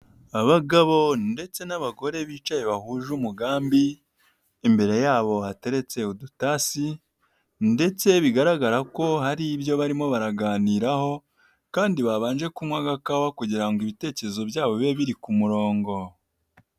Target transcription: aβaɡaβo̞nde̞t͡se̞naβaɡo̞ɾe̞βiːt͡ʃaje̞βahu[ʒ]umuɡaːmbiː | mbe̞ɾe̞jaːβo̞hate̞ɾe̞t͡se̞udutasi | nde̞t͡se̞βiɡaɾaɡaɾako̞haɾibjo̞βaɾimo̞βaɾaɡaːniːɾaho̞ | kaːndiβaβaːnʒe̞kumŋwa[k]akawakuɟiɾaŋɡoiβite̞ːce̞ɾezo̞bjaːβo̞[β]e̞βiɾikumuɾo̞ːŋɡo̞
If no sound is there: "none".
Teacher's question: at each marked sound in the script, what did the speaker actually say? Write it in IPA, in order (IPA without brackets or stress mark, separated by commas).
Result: ʒ, ɡ, β